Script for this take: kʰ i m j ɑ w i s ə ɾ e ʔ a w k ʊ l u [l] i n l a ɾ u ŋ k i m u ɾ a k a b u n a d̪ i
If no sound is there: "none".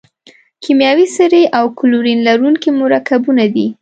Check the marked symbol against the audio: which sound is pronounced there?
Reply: ɾ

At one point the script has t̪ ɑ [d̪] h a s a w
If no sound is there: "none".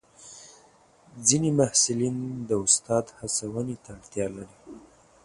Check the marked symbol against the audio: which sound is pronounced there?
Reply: d̪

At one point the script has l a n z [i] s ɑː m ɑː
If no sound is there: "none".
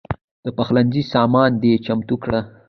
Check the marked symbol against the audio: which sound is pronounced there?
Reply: i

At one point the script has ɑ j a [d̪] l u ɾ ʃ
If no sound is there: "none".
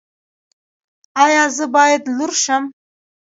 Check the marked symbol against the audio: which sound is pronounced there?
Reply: d̪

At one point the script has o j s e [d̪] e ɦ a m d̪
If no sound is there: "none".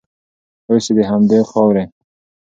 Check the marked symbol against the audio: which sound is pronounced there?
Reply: d̪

